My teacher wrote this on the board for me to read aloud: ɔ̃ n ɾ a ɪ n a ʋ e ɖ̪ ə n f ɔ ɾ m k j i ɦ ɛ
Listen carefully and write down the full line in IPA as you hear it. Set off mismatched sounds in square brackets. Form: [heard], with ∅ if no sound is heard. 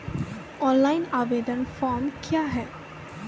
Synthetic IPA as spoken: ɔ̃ n [l] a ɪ n a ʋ e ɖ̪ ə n f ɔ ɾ m k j [a] ɦ ɛ